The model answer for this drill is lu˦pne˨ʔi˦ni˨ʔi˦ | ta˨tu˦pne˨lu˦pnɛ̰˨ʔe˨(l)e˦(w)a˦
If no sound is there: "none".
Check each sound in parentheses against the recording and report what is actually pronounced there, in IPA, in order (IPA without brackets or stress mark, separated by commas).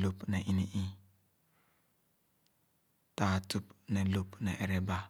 ɾ, b